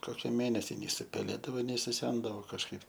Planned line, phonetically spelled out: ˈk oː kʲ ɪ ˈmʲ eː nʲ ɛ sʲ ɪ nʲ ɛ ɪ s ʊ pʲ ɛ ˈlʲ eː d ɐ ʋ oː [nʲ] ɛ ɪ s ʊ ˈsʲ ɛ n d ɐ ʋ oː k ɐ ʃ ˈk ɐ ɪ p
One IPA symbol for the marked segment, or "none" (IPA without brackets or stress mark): nʲ